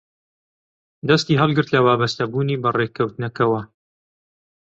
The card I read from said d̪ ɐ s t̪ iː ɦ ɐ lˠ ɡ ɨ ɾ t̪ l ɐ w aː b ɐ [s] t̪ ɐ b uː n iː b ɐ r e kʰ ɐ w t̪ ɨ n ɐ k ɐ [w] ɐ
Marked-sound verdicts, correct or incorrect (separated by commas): correct, correct